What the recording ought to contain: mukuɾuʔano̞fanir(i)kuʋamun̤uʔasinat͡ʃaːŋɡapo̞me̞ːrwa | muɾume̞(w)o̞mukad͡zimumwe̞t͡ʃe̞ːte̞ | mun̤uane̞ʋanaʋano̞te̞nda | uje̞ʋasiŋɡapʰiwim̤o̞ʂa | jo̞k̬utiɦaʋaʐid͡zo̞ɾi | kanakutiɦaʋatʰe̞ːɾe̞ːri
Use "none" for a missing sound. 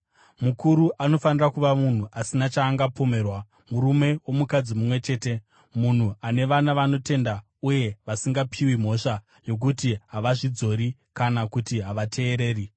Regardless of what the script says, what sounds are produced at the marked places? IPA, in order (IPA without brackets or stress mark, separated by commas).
a, w